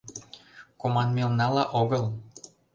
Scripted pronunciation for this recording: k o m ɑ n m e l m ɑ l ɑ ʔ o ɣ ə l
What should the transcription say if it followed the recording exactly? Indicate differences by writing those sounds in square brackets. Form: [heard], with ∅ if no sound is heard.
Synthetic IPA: k o m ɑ n m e l [n] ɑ l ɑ ʔ o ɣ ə l